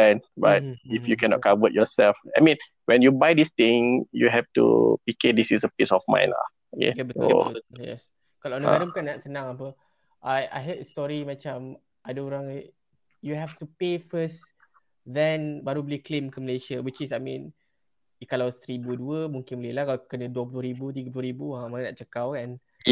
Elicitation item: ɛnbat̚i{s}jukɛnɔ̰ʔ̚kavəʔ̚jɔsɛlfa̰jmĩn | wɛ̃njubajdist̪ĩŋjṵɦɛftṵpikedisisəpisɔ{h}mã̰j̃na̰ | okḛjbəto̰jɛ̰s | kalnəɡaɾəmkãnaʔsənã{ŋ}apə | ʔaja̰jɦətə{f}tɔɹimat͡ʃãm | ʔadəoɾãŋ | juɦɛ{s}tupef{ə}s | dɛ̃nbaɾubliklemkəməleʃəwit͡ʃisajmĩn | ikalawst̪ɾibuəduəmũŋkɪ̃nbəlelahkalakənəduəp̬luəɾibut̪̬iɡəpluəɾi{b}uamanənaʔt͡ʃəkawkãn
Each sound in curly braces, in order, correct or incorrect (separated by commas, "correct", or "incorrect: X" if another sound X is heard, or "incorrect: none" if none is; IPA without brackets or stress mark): incorrect: f, incorrect: f, correct, incorrect: s, incorrect: f, correct, correct